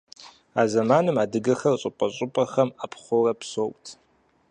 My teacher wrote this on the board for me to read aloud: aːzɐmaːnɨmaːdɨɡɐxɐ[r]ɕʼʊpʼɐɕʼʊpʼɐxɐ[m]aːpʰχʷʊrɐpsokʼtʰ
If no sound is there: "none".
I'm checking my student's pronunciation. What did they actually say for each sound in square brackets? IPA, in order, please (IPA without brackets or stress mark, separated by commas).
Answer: r, m